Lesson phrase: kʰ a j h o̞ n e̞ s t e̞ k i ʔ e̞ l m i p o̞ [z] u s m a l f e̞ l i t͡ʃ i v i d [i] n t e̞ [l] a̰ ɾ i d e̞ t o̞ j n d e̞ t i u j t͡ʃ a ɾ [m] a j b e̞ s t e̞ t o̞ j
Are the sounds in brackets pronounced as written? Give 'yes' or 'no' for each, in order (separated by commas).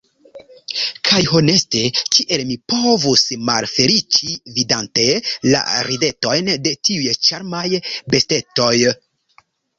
no, no, yes, yes